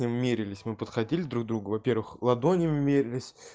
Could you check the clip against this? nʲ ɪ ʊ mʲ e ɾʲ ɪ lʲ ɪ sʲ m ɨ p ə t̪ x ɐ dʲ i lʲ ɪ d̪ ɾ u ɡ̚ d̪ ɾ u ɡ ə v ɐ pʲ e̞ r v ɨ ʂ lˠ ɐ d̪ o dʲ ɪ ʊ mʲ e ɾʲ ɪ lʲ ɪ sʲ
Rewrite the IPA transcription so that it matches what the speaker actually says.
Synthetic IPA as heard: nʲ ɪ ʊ mʲ e ɾʲ ɪ lʲ ɪ sʲ m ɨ p ə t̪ x ɐ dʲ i lʲ ɪ d̪ ɾ u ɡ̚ d̪ ɾ u ɡ ə v ɐ pʲ e̞ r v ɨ x lˠ ɐ d̪ o nʲ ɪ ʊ mʲ e ɾʲ ɪ lʲ ɪ sʲ